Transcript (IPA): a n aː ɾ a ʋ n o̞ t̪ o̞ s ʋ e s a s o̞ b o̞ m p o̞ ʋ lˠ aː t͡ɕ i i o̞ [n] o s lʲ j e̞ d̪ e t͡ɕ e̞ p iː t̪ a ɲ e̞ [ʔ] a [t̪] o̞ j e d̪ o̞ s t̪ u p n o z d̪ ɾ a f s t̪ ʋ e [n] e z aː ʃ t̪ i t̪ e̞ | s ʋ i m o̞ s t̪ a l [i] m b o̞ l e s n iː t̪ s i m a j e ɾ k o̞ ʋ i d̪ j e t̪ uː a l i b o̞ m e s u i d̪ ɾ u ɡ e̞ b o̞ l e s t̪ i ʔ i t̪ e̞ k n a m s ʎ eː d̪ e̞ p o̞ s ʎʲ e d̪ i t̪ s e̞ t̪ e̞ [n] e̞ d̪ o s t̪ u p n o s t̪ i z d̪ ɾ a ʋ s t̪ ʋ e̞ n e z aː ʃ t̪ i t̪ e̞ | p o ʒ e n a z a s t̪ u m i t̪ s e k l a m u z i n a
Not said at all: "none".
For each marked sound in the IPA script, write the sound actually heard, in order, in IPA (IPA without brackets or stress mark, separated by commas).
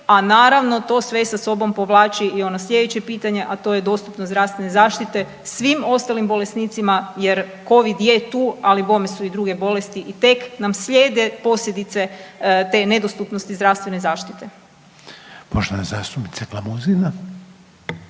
n, ʔ, t̪, n, i, n